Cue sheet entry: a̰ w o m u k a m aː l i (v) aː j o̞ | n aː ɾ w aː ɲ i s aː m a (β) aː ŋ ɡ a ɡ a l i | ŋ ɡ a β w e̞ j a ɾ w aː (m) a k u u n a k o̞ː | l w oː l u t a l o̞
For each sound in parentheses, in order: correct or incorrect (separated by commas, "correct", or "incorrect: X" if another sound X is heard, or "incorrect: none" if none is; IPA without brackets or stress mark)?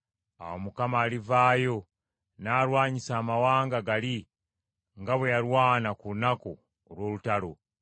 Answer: correct, incorrect: w, incorrect: n